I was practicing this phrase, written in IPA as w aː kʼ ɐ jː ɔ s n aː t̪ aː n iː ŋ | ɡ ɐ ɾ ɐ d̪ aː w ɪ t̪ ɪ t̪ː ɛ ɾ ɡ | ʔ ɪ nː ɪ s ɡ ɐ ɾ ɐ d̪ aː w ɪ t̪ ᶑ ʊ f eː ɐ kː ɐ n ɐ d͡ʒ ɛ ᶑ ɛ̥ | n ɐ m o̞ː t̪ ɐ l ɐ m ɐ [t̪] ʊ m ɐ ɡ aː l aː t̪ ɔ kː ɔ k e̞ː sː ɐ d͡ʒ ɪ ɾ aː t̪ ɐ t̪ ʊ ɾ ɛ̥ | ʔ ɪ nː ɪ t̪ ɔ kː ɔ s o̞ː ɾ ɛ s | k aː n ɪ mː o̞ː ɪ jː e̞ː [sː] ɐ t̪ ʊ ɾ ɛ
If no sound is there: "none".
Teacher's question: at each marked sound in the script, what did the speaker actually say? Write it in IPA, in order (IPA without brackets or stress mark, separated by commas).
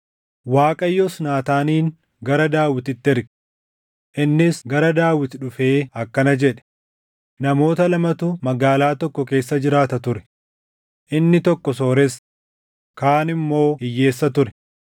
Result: t̪, sː